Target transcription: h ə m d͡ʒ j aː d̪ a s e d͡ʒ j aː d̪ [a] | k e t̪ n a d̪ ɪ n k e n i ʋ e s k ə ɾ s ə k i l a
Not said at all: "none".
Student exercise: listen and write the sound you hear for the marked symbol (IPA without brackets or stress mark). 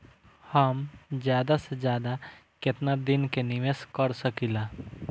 a